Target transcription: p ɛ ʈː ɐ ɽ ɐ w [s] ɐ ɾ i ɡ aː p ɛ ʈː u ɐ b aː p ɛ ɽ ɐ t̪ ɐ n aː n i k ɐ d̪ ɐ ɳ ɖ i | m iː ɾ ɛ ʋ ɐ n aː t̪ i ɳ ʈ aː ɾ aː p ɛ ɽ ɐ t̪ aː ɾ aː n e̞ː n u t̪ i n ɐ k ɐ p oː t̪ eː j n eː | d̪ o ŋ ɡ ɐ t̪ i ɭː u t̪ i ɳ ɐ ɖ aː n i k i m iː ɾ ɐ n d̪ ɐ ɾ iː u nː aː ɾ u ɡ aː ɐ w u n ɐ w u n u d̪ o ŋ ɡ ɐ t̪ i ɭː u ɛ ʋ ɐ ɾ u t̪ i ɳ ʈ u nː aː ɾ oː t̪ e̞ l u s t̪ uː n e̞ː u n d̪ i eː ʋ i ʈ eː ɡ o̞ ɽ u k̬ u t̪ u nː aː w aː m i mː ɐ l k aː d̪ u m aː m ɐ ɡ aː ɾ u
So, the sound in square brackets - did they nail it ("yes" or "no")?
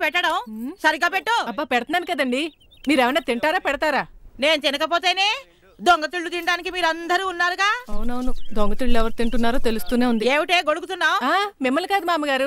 yes